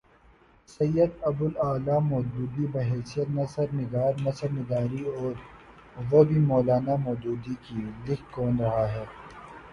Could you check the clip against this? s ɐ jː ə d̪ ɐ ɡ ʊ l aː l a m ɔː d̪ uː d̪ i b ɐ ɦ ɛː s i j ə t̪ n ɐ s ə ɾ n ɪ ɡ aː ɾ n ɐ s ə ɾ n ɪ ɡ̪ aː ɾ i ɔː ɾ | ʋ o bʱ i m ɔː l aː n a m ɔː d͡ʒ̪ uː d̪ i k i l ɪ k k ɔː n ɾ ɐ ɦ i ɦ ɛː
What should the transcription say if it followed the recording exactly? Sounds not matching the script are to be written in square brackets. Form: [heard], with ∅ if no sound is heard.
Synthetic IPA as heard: s ɐ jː ə d̪ ɐ [b] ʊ l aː l a m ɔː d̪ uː d̪ i b ɐ ɦ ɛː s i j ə t̪ n ɐ s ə ɾ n ɪ ɡ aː ɾ n ɐ s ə ɾ n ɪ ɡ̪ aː ɾ i ɔː ɾ | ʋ o bʱ i m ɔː l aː n a m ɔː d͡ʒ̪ uː d̪ i k i l ɪ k k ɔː n ɾ ɐ ɦ [a] ɦ ɛː